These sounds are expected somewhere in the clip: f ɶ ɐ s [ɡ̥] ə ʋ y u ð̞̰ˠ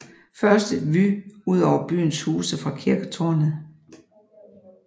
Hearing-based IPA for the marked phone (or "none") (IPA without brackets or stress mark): d̥